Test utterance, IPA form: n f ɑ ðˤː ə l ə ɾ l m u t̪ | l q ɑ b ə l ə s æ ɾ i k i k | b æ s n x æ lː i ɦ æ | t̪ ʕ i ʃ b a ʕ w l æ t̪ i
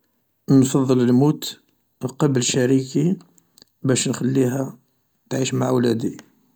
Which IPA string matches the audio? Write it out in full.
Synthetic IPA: n f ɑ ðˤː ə l ə l m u t̪ | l q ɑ b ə l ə ʃ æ ɾ i k i | b æ ʃ n x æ lː i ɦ æ | t̪ ʕ i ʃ m a ʕ w l æ d̪ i